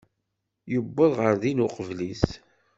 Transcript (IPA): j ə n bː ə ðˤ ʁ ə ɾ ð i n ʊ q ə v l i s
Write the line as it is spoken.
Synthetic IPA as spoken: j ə bː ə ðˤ ʁ ə ɾ ð i n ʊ q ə v l i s